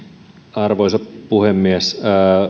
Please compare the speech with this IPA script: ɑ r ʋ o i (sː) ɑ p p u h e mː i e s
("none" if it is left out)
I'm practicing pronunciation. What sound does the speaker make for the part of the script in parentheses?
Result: s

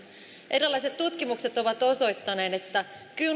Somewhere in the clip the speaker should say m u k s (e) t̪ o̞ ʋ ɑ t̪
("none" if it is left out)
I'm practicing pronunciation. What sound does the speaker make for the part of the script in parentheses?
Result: e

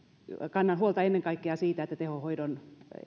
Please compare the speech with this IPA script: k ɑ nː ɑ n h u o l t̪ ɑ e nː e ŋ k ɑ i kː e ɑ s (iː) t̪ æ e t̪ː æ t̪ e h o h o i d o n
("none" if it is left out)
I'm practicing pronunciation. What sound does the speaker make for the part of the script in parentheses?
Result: iː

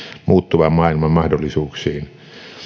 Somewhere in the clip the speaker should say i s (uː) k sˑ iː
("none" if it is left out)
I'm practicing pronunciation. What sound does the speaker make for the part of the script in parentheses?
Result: uː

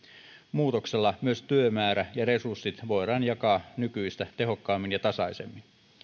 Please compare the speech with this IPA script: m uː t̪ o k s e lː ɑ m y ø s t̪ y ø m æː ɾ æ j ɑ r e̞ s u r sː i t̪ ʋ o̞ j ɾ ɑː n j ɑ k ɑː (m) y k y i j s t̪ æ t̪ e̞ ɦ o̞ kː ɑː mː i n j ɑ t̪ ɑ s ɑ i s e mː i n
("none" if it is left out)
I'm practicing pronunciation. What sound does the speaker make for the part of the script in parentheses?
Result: n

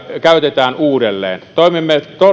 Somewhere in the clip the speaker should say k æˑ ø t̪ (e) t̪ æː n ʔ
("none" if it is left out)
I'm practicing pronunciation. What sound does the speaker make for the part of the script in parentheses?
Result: e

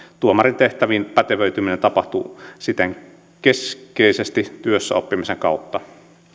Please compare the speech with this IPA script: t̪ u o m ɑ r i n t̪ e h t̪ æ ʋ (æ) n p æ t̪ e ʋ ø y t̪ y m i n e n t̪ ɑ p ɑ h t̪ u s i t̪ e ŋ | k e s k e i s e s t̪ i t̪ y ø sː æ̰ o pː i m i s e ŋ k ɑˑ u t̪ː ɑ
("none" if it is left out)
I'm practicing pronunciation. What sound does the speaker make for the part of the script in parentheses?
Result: i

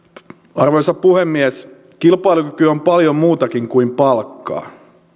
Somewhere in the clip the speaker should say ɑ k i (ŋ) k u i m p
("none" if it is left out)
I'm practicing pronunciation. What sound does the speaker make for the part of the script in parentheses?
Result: ŋ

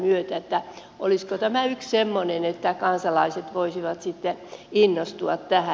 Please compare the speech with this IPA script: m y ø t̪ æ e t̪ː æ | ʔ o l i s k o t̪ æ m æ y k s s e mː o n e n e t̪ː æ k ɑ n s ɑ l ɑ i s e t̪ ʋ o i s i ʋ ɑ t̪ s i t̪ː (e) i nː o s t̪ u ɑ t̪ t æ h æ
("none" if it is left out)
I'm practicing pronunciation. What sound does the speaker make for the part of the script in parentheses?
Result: e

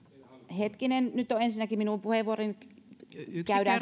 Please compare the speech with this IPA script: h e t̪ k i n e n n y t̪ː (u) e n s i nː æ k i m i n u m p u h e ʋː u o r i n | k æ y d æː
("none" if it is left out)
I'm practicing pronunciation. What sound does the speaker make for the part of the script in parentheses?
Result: o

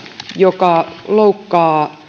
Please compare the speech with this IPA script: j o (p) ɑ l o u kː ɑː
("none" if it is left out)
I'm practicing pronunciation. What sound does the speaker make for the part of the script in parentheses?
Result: k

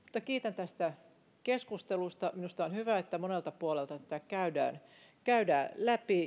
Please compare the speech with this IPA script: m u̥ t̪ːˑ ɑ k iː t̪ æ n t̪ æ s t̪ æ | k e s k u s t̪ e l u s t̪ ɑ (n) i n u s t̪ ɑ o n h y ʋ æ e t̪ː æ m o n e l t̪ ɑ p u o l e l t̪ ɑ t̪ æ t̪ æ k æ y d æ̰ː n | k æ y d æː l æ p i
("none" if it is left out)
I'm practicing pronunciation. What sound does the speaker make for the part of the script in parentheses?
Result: m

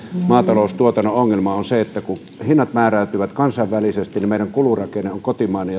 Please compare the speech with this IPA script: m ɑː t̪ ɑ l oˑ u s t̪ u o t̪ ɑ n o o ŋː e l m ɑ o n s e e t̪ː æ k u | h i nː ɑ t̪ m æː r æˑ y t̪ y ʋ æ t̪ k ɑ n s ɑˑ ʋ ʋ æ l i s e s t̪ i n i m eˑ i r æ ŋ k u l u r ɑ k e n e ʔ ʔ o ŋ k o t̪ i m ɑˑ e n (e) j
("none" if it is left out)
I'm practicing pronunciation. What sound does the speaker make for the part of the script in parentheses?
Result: e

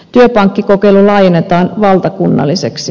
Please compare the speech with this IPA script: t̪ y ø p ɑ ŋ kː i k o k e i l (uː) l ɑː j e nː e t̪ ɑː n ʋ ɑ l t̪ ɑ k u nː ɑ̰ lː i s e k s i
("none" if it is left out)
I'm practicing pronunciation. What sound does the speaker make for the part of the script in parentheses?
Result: u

